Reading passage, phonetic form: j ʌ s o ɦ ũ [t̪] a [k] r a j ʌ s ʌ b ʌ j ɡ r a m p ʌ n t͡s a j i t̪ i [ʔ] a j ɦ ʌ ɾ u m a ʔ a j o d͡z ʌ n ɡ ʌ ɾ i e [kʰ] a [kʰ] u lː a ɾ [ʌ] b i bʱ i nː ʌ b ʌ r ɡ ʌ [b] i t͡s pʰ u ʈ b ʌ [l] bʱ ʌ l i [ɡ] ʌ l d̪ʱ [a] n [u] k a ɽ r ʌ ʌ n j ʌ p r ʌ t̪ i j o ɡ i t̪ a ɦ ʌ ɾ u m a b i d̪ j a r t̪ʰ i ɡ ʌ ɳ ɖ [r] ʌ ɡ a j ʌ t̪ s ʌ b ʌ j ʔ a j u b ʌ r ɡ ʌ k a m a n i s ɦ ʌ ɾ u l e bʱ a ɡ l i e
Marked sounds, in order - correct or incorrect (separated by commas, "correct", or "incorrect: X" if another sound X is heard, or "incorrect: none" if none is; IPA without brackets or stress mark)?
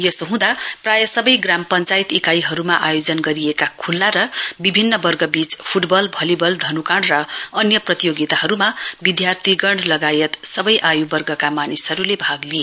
incorrect: d̪, incorrect: p, incorrect: k, incorrect: k, correct, correct, correct, correct, incorrect: b, incorrect: ʌ, correct, incorrect: l